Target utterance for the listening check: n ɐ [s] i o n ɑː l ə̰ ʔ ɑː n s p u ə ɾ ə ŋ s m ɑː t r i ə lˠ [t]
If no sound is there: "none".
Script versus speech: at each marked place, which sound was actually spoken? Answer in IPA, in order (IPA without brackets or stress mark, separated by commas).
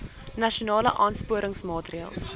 ʃ, s